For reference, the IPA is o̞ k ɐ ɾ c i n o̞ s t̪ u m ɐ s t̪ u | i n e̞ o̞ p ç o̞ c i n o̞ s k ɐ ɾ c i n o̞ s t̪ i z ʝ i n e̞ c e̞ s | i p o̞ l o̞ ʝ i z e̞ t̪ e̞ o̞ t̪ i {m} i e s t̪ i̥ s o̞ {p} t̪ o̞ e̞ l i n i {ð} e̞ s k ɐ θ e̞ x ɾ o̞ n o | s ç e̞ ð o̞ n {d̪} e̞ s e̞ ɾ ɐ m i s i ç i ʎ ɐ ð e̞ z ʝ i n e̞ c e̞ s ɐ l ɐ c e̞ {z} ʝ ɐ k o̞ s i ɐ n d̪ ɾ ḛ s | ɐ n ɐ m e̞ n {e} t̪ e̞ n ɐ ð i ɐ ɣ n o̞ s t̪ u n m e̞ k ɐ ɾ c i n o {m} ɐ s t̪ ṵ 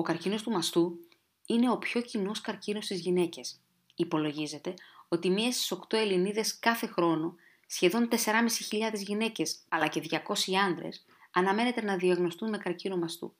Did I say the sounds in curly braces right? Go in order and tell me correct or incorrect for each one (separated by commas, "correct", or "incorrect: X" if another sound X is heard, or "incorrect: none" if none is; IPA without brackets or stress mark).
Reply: correct, incorrect: k, correct, incorrect: t̪, incorrect: ð, correct, correct